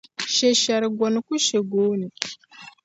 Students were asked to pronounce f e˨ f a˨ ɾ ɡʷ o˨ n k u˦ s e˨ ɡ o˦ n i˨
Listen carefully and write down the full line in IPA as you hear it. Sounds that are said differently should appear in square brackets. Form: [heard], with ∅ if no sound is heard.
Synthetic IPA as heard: [ʃ] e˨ [ʃ] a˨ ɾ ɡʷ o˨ n k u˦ [ʃ] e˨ ɡ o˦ n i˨